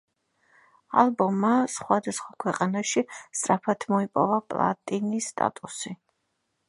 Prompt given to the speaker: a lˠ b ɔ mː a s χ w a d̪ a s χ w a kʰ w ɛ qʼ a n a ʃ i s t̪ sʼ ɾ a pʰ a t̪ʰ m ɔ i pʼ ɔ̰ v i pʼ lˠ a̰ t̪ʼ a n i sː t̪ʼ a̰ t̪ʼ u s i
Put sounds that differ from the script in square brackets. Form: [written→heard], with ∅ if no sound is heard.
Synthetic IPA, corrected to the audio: a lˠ b ɔ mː a s χ w a d̪ a s χ w a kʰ w ɛ qʼ a n a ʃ i s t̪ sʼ ɾ a pʰ a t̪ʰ m ɔ i pʼ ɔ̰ v [i→a] pʼ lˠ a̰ t̪ʼ [a→i] n i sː t̪ʼ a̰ t̪ʼ u s i

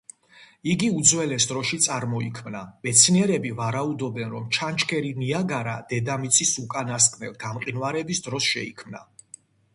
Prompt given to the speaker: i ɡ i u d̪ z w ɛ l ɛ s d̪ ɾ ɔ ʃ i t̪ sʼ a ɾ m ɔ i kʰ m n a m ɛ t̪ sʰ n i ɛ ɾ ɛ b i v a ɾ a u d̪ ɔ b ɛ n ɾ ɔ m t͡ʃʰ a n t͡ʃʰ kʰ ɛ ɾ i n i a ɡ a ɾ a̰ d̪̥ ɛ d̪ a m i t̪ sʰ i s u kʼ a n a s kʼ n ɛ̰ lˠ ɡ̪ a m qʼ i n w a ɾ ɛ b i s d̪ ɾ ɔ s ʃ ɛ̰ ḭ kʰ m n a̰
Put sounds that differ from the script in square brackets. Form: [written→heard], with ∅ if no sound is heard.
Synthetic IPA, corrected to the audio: i ɡ i u d̪ z w ɛ l ɛ s d̪ ɾ ɔ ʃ i t̪ sʼ a ɾ m ɔ i kʰ m n a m ɛ t̪ sʰ n i ɛ ɾ ɛ b i v a ɾ a u d̪ ɔ b ɛ n ɾ ɔ m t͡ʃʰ a n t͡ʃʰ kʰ ɛ ɾ i n i a ɡ a ɾ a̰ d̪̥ ɛ d̪ a m i t̪ sʰ i s u kʼ a n a s kʼ n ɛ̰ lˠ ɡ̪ a m qʼ i n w a ɾ ɛ b i s d̪ ɾ ɔ s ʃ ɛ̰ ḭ kʰ m n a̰

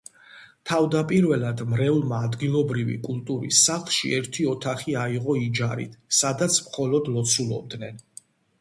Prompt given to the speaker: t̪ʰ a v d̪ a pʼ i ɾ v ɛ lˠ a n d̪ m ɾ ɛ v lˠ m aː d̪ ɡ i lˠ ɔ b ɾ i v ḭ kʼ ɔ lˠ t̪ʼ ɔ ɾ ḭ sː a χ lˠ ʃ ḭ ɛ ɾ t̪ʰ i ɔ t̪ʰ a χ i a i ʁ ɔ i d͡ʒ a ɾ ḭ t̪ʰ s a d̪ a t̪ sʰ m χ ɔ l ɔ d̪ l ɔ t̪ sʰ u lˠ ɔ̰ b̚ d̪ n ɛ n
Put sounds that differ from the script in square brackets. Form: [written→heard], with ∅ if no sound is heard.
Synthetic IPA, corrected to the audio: t̪ʰ a v d̪ a pʼ i ɾ v ɛ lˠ a [n→∅] d̪ m ɾ ɛ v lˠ m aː d̪ ɡ i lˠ ɔ b ɾ i v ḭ kʼ [ɔ→u] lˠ t̪ʼ [ɔ→u] ɾ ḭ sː a χ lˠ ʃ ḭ ɛ ɾ t̪ʰ i ɔ t̪ʰ a χ i a i ʁ ɔ i d͡ʒ a ɾ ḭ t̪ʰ s a d̪ a t̪ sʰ m χ ɔ l ɔ d̪ l ɔ t̪ sʰ u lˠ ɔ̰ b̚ d̪ n ɛ n

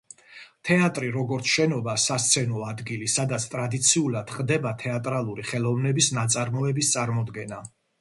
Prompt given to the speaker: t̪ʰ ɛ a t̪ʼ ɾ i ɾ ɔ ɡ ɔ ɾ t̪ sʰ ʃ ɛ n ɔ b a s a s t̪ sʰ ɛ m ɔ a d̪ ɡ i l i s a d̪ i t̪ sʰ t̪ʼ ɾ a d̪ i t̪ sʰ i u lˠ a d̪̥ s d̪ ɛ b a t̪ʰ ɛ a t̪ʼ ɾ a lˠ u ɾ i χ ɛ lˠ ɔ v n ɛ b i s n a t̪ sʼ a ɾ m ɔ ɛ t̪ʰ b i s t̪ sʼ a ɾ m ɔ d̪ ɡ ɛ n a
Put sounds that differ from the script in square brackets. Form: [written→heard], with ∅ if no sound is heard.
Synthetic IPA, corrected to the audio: t̪ʰ ɛ a t̪ʼ ɾ i ɾ ɔ ɡ ɔ ɾ t̪ sʰ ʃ ɛ n ɔ b a s a s t̪ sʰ ɛ [m→n] ɔ a d̪ ɡ i l i s a d̪ [i→a] t̪ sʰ t̪ʼ ɾ a d̪ i t̪ sʰ i u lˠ a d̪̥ [s→χ] d̪ ɛ b a t̪ʰ ɛ a t̪ʼ ɾ a lˠ u ɾ i χ ɛ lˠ ɔ v n ɛ b i s n a t̪ sʼ a ɾ m ɔ ɛ [t̪ʰ→∅] b i s t̪ sʼ a ɾ m ɔ d̪ ɡ ɛ n a

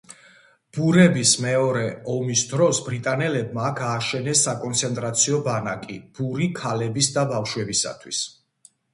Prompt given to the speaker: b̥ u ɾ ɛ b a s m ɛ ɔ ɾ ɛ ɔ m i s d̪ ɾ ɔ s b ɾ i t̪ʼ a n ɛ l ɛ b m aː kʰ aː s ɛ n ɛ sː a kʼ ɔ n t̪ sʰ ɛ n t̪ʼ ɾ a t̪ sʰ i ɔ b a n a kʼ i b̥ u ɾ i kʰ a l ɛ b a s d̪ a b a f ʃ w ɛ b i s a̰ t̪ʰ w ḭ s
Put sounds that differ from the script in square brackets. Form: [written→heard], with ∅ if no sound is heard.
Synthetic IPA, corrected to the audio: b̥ u ɾ ɛ b [a→i] s m ɛ ɔ ɾ ɛ ɔ m i s d̪ ɾ ɔ s b ɾ i t̪ʼ a n ɛ l ɛ b m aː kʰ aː [s→ʃ] ɛ n ɛ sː a kʼ ɔ n t̪ sʰ ɛ n t̪ʼ ɾ a t̪ sʰ i ɔ b a n a kʼ i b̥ u ɾ i kʰ a l ɛ b [a→i] s d̪ a b a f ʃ w ɛ b i s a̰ t̪ʰ w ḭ s

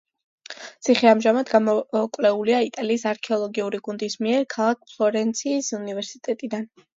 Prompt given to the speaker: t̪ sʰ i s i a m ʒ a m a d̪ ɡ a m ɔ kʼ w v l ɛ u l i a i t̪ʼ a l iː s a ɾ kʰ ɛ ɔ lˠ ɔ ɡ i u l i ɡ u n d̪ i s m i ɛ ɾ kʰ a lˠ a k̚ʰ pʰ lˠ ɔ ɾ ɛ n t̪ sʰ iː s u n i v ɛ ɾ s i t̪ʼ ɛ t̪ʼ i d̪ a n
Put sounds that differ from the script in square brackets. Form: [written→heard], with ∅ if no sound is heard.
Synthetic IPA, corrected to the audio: t̪ sʰ i [s→χ] i a m ʒ a m a d̪ ɡ a m ɔ kʼ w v l ɛ u l i a i t̪ʼ a l iː s a ɾ kʰ ɛ ɔ lˠ ɔ ɡ i u [l→ɾ] i ɡ u n d̪ i s m i ɛ ɾ kʰ a lˠ a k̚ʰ pʰ lˠ ɔ ɾ ɛ n t̪ sʰ iː s u n i v ɛ ɾ s i t̪ʼ ɛ t̪ʼ i d̪ a n

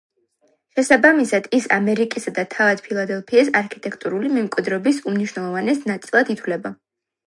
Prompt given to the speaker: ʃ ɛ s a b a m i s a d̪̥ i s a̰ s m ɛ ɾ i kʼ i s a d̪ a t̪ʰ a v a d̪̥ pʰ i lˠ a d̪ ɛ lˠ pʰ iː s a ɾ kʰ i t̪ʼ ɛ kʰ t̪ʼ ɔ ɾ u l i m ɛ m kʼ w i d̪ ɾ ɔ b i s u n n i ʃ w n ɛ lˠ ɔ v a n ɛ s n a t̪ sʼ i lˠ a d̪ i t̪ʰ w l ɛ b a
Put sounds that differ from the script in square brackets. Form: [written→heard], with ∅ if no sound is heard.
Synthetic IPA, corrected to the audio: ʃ ɛ s a b a m i s a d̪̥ i s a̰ [s→∅] m ɛ ɾ i kʼ i s a d̪ a t̪ʰ a v a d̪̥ pʰ i lˠ a d̪ ɛ lˠ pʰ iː s a ɾ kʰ i t̪ʼ ɛ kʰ t̪ʼ [ɔ→u] ɾ u l i m ɛ m kʼ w i d̪ ɾ ɔ b i s u [n→m] n i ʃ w n ɛ lˠ ɔ v a n ɛ s n a t̪ sʼ i lˠ a d̪ i t̪ʰ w l ɛ b a

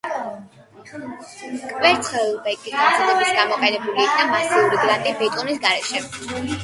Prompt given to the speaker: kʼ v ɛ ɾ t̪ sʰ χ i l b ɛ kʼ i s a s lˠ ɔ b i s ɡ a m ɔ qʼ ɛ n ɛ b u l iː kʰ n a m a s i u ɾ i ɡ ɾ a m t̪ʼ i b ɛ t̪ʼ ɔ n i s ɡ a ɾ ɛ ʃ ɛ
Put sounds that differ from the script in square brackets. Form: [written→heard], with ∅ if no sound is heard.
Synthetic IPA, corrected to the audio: kʼ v ɛ ɾ t̪ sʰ χ [i→ɛ] l b ɛ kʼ i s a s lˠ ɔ b i s ɡ a m ɔ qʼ ɛ n ɛ b u l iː kʰ n a m a s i u ɾ i ɡ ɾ a [m→n] t̪ʼ i b ɛ t̪ʼ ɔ n i s ɡ a ɾ ɛ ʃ ɛ

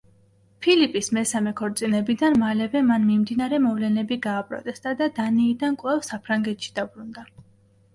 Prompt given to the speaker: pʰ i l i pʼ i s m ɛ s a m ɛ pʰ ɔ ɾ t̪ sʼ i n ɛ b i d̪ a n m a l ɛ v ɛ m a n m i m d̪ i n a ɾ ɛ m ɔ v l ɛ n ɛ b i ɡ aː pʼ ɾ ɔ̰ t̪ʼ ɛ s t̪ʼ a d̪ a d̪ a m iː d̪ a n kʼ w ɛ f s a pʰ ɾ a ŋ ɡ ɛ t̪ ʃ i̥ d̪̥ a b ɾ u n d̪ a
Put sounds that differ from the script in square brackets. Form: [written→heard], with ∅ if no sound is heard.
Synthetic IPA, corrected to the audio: pʰ i l i pʼ i s m ɛ s a m ɛ [pʰ→kʰ] ɔ ɾ t̪ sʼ i n ɛ b i d̪ a n m a l ɛ v ɛ m a n m i m d̪ i n a ɾ ɛ m ɔ v l ɛ n ɛ b i ɡ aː pʼ ɾ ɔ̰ t̪ʼ ɛ s t̪ʼ a d̪ a d̪ a [m→n] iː d̪ a n kʼ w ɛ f s a pʰ ɾ a ŋ ɡ ɛ t̪ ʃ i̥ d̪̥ a b ɾ u n d̪ a

